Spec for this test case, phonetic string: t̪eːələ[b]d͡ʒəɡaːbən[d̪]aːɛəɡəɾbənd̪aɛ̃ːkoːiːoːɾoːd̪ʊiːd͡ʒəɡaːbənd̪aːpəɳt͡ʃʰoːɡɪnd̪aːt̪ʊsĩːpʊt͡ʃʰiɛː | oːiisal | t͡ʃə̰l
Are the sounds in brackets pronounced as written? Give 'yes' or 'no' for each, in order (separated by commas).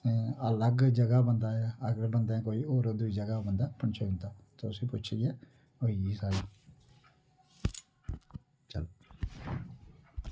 no, yes